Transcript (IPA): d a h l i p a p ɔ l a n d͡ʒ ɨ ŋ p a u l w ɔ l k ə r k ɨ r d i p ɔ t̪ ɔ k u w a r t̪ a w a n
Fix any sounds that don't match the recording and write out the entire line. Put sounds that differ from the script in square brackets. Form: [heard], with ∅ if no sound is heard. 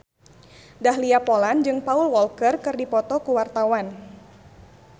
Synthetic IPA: d a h l i [∅] a p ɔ l a n d͡ʒ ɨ ŋ p a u l w ɔ l k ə r k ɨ r d i p ɔ t̪ ɔ k u w a r t̪ a w a n